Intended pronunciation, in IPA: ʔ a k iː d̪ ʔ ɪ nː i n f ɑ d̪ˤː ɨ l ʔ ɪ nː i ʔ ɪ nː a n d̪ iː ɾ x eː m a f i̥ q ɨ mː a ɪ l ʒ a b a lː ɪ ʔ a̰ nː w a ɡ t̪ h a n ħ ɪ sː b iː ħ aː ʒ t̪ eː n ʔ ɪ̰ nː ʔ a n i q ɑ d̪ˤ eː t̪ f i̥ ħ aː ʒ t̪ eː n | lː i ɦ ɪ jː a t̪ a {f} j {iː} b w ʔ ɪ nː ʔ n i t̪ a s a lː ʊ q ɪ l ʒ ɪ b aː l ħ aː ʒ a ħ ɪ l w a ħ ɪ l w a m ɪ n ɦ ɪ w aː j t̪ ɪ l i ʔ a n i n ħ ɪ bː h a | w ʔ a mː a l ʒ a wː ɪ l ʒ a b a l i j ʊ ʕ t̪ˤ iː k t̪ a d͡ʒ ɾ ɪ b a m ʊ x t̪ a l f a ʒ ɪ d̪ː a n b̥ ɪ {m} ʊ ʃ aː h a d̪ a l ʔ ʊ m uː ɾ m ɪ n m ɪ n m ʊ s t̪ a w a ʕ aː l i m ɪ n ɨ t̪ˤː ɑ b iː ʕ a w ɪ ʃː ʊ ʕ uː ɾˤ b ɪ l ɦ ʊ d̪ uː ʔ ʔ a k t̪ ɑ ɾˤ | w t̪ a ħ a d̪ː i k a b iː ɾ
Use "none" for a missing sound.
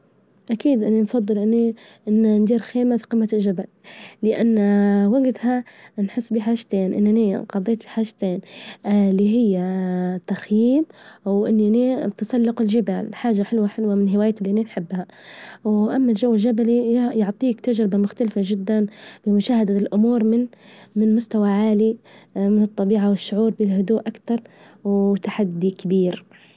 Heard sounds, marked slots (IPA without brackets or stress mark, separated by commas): x, iː, m